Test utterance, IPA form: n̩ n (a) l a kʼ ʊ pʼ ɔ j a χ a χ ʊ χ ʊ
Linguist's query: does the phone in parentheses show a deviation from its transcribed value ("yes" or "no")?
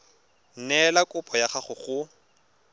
yes